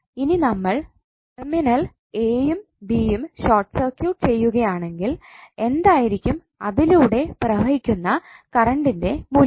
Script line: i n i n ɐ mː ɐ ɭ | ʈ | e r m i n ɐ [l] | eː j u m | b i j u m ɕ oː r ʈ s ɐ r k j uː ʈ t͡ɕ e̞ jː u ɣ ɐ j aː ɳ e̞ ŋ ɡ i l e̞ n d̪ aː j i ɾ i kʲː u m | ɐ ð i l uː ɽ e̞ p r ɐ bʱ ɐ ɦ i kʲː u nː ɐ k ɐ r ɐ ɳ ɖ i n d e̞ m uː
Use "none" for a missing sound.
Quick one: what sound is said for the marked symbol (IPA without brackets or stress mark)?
l